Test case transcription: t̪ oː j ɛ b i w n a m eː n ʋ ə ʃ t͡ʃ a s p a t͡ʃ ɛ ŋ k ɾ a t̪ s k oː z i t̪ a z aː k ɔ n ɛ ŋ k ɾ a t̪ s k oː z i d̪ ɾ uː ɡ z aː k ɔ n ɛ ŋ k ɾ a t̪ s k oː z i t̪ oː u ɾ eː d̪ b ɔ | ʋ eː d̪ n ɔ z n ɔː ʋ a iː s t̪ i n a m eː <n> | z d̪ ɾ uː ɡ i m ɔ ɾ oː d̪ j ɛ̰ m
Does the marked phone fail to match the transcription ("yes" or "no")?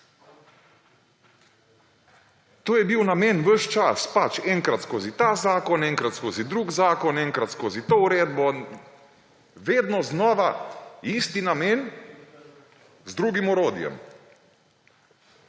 no